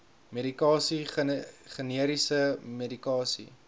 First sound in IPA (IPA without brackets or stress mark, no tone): m